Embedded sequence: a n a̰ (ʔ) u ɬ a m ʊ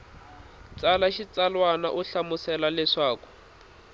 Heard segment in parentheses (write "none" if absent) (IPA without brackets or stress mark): ʔ